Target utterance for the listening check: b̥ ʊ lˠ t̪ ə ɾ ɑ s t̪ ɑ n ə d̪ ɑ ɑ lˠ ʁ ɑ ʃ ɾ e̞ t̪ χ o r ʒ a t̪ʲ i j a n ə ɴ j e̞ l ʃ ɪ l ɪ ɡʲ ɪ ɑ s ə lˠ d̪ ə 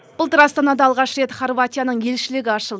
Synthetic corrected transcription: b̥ ʊ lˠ t̪ ə ɾ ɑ s t̪ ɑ n ɑ d̪ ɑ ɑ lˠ ʁ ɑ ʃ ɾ e̞ t̪ χ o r v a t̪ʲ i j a n ə ɴ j e̞ l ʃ ɪ l ɪ ɡʲ ɪ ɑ ʃ ə lˠ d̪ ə